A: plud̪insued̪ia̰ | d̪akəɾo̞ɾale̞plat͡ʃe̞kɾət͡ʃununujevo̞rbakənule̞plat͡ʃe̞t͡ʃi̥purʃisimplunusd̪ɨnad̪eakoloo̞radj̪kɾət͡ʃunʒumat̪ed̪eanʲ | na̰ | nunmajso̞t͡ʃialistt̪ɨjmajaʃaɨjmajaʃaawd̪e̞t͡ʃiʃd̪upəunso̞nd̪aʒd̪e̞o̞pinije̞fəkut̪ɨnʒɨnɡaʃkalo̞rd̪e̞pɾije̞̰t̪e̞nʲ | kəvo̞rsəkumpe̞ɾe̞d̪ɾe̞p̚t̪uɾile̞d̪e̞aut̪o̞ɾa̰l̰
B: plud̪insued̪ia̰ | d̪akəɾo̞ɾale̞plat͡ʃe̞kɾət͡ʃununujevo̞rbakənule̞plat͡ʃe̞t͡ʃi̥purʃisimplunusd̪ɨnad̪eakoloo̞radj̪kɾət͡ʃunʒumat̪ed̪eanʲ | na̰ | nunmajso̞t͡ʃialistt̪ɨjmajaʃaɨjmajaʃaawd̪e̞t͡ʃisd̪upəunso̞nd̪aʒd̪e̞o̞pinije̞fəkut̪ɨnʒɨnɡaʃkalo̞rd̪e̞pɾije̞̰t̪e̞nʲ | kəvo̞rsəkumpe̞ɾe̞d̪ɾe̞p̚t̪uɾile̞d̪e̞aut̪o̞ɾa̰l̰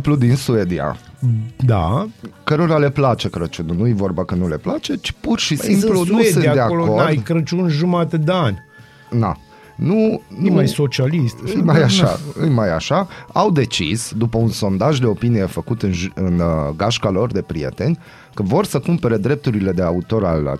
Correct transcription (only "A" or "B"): B